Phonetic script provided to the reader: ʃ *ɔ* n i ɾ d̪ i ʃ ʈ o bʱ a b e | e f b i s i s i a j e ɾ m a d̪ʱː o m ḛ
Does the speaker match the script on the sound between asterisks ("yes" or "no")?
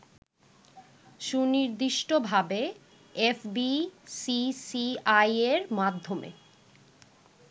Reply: no